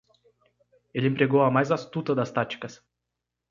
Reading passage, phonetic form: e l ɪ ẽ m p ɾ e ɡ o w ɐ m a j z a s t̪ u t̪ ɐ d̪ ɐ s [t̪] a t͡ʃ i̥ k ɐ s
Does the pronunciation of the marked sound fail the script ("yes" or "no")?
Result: no